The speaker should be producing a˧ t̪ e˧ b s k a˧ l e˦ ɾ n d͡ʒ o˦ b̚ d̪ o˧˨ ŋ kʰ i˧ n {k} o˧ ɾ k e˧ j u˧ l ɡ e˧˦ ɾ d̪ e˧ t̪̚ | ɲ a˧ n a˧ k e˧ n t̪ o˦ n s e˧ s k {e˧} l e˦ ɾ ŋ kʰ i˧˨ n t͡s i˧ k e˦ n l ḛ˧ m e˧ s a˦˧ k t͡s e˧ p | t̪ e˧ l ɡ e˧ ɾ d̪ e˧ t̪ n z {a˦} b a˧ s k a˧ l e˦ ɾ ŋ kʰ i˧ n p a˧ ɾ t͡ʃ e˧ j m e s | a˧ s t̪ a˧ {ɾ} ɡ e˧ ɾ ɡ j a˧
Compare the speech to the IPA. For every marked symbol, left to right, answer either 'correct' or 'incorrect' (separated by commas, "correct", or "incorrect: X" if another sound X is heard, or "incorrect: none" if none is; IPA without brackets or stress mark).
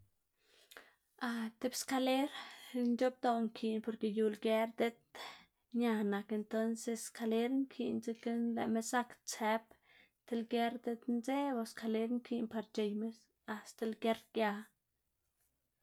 incorrect: p, incorrect: a˧, incorrect: e˦, incorrect: l